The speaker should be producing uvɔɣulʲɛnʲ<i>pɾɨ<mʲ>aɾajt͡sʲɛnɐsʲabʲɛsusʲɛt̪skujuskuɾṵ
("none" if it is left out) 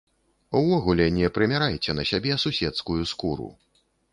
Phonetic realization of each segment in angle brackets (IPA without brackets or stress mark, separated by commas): ɛ, mʲ